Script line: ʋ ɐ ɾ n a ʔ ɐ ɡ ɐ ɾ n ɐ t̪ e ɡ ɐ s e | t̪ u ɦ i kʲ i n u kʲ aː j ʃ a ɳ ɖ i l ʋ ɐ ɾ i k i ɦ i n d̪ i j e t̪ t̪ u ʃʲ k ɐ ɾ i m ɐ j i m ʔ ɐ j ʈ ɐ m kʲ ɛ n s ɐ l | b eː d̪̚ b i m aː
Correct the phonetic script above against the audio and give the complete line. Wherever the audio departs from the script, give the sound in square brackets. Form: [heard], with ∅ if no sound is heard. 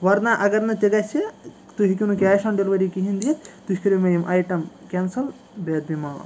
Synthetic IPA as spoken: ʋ ɐ ɾ n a ʔ ɐ ɡ ɐ ɾ n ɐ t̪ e ɡ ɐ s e | t̪ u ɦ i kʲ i n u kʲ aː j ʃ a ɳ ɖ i l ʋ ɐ ɾ i k i ɦ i n d̪ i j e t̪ t̪ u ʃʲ k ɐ ɾ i m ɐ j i m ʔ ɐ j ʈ ɐ m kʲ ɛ n s ɐ l | b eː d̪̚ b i m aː